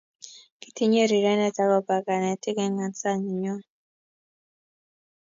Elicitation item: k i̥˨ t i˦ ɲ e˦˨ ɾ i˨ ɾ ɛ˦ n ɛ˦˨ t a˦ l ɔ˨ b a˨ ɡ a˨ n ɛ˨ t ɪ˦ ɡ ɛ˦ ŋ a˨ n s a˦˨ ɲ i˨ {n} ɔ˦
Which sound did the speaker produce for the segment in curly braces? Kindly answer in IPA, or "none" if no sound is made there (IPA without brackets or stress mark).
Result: ɲ